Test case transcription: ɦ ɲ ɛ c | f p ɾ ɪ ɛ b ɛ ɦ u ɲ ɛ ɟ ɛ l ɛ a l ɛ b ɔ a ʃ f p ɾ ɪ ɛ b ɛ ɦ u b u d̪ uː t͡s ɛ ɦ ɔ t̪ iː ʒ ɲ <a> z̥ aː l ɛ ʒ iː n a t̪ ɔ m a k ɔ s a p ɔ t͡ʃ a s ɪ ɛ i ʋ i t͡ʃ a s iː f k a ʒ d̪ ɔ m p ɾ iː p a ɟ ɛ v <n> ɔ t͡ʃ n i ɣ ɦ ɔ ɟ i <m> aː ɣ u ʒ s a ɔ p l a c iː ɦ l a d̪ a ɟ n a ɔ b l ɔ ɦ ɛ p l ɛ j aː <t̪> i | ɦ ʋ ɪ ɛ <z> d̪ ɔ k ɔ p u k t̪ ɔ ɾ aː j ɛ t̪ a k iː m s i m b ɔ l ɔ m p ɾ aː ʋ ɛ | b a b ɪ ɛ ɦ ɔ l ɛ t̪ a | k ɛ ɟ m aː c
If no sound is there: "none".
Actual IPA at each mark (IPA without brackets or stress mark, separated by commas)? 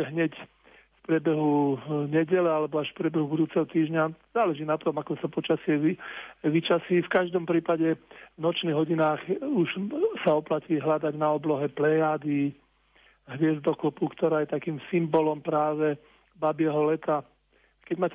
a, n, n, d̪, z